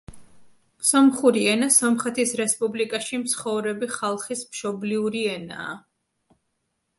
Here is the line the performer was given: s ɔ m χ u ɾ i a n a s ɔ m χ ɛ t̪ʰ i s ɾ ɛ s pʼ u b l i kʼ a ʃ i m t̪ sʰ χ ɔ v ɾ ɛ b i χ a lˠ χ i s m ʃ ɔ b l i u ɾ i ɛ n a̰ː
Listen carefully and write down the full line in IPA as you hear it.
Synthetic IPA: s ɔ m χ u ɾ i ɛ n a s ɔ m χ ɛ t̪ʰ i s ɾ ɛ s pʼ u b l i kʼ a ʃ i m t̪ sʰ χ ɔ v ɾ ɛ b i χ a lˠ χ i s m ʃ ɔ b l i u ɾ i ɛ n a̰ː